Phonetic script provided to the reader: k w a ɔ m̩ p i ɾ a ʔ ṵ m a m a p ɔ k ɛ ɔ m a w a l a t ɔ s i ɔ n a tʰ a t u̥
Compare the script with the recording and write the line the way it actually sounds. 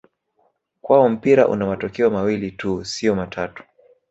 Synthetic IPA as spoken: k w a ɔ m̩ p i ɾ a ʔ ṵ n a m a t ɔ k ɛ ɔ m a w i l i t u s i ɔ m a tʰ a t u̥